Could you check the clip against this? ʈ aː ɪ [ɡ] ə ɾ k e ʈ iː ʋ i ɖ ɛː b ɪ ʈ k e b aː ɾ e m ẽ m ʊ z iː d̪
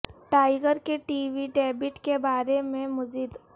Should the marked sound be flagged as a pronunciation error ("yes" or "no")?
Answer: no